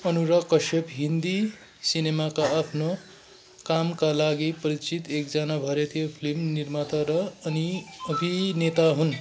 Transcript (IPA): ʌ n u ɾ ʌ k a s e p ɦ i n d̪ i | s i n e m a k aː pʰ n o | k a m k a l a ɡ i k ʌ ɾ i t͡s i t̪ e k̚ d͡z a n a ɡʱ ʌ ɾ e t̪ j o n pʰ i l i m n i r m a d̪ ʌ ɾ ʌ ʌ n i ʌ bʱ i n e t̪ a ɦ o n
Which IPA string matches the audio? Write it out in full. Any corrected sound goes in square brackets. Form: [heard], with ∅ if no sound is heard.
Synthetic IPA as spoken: ʌ n u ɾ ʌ k [ʌ] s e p ɦ i n d̪ i | s i n e m a k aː pʰ n o | k a m k a l a ɡ i [p] ʌ ɾ i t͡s i t̪ e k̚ d͡z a n a [bʱ] ʌ ɾ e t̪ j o [∅] pʰ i l i m n i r m a [t̪] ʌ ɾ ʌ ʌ n i ʌ bʱ i n e t̪ a ɦ [u] n